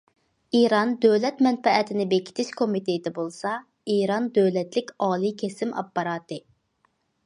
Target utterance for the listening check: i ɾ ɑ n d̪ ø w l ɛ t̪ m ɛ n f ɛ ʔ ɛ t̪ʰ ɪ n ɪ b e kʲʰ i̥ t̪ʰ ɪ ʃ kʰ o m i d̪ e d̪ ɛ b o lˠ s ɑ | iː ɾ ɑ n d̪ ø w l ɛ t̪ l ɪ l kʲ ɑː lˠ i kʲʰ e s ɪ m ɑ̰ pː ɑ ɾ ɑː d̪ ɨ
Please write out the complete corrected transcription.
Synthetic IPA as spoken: i ɾ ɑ n d̪ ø w l ɛ t̪ m ɛ n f ɛ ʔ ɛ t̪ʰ ɪ n ɪ b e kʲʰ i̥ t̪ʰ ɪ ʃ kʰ o m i t̪ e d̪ ɛ b o lˠ s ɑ | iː ɾ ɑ n d̪ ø w l ɛ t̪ l ɪ kʲ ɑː lˠ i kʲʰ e s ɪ m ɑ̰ pː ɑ ɾ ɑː t̪ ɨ

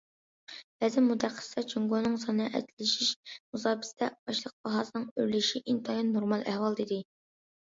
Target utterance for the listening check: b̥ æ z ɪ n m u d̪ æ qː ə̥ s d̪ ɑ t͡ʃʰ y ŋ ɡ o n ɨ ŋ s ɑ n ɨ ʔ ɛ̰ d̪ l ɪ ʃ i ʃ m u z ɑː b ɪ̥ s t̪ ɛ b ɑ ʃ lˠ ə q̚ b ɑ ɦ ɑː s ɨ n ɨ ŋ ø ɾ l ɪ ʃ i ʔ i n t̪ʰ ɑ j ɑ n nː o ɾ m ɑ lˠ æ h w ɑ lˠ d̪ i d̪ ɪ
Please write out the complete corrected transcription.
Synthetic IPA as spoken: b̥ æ z ɪ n m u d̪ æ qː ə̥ s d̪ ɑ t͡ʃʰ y ŋ ɡ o n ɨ ŋ s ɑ n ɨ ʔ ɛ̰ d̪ l ɪ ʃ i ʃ m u z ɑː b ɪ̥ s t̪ ɛ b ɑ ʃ lˠ ə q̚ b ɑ ɦ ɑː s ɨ n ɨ ŋ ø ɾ l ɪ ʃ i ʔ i n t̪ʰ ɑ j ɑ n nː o ɾ m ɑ lˠ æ h w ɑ lˠ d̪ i d̪ ɪ

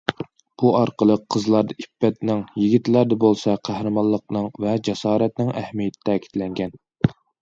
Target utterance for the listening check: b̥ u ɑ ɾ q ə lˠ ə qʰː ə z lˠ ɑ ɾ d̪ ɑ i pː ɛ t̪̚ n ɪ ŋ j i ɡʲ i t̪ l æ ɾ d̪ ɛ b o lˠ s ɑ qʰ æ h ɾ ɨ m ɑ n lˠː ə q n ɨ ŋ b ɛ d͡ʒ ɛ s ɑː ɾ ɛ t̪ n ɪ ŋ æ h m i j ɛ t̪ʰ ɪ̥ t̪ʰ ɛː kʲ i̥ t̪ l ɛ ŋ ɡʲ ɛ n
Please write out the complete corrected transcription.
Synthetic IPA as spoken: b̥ u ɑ ɾ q ə lˠ ə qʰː ə z lˠ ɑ ɾ d̪ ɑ i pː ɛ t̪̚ n ɪ ŋ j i ɡʲ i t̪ l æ ɾ d̪ ɛ b o lˠ s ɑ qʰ æ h ɾ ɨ m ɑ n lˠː ə q n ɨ ŋ v ɛ d͡ʒ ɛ s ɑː ɾ ɛ t̪ n ɪ ŋ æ h m i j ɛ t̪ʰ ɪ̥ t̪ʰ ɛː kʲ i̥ t̪ l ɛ ŋ ɡʲ ɛ n

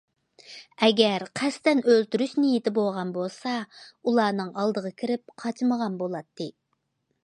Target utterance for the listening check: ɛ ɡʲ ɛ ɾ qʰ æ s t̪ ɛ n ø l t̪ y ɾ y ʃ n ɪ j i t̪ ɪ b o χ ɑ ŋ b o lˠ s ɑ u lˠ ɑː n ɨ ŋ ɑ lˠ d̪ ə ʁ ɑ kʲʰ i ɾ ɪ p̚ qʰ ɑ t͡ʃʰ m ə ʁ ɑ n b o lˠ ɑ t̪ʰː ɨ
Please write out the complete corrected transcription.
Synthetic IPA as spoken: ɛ ɡʲ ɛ ɾ qʰ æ s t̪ ɛ n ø l t̪ y ɾ y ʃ n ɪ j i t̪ ɪ b o ʁ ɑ n b o lˠ s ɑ u lˠ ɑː n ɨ ŋ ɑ lˠ d̪ ə ʁ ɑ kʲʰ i ɾ ɪ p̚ qʰ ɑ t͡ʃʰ m ə ʁ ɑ n b o lˠ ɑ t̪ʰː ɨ

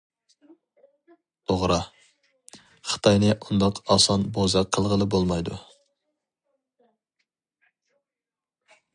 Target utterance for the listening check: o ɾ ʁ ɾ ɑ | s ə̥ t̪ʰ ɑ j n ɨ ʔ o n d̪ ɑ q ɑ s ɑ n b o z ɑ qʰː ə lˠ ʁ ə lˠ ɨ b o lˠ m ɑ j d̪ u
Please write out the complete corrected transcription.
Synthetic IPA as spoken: o ʁ ɾ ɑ | χ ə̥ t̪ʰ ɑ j n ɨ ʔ u n d̪ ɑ q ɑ s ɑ n b o z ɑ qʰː ə lˠ ʁ ə lˠ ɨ b o lˠ m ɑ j d̪ u

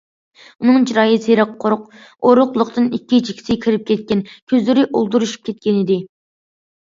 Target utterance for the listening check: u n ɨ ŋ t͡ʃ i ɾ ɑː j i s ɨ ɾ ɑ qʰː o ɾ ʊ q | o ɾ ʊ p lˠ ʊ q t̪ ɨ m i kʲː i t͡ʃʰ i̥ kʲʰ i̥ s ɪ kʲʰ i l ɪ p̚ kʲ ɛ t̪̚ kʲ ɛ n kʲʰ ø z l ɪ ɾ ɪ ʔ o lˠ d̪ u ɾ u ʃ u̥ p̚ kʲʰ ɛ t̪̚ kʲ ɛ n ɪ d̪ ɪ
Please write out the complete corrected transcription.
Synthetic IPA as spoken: u n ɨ ŋ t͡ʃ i ɾ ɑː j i s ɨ ɾ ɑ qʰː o ɾ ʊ q | o ɾ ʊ q lˠ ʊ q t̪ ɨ n i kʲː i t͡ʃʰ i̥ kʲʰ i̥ s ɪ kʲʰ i ɾ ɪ p̚ kʲ ɛ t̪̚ kʲ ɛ n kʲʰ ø z l ɪ ɾ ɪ ʔ o lˠ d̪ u ɾ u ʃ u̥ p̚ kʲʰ ɛ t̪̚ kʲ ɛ n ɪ d̪ ɪ

